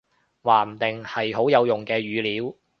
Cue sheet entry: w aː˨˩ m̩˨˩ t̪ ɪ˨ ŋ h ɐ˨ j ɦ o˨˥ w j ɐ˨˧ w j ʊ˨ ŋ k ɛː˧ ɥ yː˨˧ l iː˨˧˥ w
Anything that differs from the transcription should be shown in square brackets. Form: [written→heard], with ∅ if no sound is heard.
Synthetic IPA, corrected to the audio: w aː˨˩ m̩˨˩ t̪ ɪ˨ ŋ h ɐ˨ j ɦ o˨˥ w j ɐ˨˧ w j ʊ˨ ŋ k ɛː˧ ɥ yː˨˧ l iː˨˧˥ w